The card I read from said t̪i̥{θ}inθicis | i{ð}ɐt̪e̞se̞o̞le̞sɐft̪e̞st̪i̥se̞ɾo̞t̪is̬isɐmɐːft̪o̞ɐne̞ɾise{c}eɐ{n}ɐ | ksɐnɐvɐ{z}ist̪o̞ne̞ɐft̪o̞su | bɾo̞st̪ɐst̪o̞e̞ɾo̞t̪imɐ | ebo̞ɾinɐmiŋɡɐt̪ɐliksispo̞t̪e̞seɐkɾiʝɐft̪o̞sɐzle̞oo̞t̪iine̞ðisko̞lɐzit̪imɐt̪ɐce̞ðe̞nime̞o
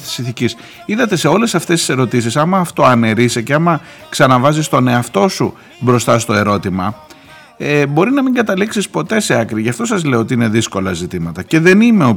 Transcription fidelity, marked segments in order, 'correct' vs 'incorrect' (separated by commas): incorrect, correct, correct, incorrect, correct